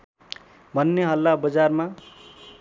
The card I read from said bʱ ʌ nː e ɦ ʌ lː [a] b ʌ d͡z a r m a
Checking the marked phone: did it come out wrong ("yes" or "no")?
no